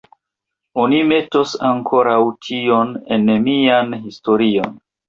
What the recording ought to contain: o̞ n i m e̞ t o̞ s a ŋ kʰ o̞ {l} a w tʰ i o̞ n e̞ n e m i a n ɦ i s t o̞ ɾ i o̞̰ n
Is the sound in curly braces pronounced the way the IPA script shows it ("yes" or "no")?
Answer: no